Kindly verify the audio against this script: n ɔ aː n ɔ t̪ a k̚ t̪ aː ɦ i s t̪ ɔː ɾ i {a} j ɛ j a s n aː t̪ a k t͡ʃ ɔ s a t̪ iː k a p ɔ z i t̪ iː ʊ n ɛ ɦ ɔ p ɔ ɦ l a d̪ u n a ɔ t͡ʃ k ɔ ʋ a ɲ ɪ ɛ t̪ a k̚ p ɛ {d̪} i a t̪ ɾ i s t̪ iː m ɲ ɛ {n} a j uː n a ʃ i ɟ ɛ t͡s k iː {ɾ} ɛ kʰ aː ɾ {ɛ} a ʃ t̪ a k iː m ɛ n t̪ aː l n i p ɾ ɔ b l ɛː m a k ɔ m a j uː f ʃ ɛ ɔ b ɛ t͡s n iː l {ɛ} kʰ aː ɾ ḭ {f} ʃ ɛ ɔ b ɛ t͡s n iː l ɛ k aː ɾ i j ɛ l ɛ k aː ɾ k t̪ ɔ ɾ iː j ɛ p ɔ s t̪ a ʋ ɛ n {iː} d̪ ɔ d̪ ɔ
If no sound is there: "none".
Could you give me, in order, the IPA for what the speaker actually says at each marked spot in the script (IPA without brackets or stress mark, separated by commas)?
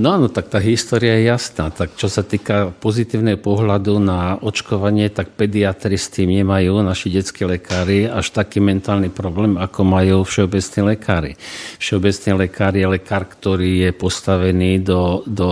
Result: a, d̪, m, l, i, ɛ, f, iː